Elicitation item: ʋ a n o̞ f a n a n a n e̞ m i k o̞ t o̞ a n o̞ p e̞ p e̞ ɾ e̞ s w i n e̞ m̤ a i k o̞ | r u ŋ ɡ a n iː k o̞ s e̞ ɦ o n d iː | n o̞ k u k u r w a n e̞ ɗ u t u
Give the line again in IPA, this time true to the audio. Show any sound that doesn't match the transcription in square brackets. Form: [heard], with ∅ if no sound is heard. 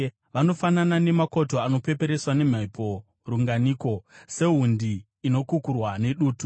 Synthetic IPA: ʋ a n o̞ f a n a n a n e̞ m [a] k o̞ t o̞ a n o̞ p e̞ p e̞ ɾ e̞ s w [a] n e̞ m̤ a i [p] o̞ | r u ŋ ɡ a n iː k o̞ s e̞ ɦ [u] n d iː | n o̞ k u k u r w a n e̞ ɗ [uː] t u